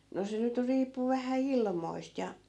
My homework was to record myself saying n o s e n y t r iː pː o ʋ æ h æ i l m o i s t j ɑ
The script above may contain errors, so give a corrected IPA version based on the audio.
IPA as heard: n o s e n y t r iː pː u ʋ æ h æ i l m o i s t j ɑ